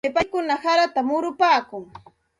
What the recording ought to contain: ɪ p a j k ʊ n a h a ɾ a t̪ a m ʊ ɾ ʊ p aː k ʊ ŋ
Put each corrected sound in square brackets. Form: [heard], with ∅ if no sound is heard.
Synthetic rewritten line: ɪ p a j k ʊ n a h a ɾ a t̪ a m ʊ ɾ ʊ p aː k ʊ ŋ